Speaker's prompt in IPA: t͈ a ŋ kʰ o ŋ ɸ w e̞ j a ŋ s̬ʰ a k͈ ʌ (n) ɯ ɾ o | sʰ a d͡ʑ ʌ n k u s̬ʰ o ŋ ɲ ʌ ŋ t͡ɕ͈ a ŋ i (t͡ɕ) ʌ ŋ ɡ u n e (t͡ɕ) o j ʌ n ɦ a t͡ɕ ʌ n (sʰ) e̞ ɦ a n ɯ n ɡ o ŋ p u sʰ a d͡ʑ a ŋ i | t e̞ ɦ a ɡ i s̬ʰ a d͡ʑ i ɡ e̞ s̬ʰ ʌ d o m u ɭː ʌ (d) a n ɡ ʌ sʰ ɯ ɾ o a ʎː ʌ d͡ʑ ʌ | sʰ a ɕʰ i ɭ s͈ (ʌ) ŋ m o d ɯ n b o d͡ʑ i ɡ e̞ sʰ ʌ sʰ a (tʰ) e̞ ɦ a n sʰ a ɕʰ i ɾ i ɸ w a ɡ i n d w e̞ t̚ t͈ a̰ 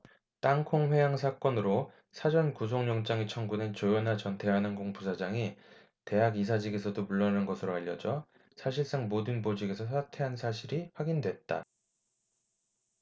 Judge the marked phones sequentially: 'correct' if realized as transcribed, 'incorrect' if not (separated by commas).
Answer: correct, incorrect, correct, incorrect, incorrect, incorrect, correct